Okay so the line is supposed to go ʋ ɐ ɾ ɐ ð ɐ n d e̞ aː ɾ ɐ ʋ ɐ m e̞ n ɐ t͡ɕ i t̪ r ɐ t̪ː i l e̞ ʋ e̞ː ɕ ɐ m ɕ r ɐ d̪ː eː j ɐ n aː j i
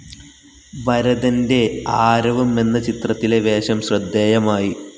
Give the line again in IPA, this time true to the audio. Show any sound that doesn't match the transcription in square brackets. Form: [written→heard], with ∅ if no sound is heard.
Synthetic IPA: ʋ ɐ ɾ ɐ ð ɐ n d e̞ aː ɾ ɐ ʋ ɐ m e̞ [n→nː] ɐ t͡ɕ i t̪ r ɐ t̪ː i l e̞ ʋ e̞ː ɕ ɐ m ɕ r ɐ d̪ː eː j ɐ [n→m] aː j i